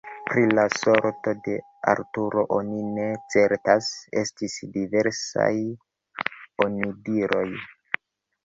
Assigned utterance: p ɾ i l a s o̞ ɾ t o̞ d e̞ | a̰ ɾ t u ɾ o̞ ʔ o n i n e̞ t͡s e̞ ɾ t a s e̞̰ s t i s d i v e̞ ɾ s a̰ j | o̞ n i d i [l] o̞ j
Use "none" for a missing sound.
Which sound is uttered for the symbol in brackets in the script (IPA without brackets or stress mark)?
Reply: ɾ